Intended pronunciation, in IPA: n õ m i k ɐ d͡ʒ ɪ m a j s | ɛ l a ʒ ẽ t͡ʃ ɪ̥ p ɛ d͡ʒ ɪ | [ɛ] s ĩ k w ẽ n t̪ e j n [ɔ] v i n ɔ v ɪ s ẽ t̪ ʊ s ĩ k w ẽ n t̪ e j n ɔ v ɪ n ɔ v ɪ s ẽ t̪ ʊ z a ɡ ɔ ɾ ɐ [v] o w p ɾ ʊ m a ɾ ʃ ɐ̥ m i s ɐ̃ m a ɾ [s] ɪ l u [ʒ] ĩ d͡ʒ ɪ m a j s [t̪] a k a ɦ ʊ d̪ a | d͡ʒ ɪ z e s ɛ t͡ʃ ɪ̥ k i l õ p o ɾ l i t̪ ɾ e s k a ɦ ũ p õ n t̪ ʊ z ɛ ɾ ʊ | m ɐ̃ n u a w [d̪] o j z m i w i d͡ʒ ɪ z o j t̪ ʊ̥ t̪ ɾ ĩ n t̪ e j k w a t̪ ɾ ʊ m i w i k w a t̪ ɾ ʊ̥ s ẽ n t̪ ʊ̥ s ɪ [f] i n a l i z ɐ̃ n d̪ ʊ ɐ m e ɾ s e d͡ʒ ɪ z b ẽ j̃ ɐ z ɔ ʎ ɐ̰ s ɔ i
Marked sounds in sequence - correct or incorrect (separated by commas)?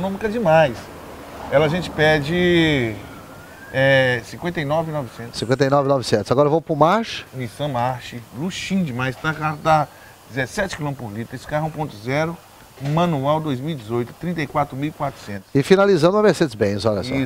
correct, correct, correct, incorrect, incorrect, correct, correct, correct